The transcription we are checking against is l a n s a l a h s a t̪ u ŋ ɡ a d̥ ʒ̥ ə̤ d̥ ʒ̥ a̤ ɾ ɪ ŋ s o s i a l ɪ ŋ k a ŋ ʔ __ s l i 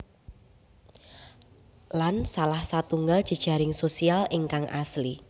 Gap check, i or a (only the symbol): a